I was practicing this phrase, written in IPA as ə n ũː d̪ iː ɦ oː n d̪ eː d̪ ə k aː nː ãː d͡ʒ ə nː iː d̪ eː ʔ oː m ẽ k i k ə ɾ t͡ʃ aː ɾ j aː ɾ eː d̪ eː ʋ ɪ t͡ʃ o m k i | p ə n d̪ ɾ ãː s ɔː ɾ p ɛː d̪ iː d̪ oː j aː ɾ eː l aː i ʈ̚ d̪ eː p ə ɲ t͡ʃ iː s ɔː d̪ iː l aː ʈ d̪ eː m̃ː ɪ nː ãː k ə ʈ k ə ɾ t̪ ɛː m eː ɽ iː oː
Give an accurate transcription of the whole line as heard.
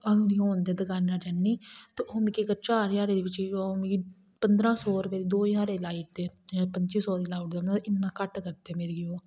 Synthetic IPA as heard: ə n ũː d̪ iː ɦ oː n d̪ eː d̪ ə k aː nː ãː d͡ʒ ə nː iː t̪ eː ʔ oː m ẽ k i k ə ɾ t͡ʃ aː ɾ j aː ɾ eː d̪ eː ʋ ɪ t͡ʃ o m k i | p ə n d̪ ɾ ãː s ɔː ɾ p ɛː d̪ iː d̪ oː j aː ɾ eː l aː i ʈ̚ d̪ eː p ə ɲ t͡ʃ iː s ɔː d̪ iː l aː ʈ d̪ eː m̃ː ɪ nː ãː k ə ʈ k ə ɾ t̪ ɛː m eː ɾ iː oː